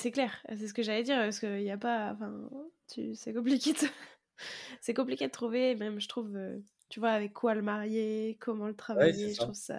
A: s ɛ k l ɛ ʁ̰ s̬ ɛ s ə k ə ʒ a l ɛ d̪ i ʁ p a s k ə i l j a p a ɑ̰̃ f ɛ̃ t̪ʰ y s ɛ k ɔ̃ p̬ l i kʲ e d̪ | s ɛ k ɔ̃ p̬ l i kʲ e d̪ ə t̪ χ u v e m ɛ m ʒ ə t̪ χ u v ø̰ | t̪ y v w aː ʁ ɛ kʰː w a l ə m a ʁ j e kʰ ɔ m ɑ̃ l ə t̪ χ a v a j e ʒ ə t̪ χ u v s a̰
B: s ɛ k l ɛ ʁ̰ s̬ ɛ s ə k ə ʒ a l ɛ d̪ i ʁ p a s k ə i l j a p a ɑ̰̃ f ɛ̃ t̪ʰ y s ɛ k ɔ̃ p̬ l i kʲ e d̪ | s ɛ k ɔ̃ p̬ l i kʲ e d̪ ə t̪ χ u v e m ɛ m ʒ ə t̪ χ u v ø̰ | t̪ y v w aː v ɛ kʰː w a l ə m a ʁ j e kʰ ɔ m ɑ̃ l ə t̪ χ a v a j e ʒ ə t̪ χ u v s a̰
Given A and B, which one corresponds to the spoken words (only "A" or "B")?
B